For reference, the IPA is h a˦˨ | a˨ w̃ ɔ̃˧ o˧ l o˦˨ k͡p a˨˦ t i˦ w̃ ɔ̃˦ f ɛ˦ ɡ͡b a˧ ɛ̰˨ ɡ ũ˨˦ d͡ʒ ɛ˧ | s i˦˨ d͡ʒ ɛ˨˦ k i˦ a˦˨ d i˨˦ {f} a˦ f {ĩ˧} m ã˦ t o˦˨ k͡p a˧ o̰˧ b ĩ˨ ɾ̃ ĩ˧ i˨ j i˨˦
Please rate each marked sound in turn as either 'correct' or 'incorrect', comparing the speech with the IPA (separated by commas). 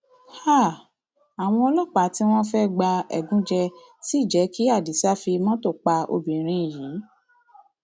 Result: incorrect, incorrect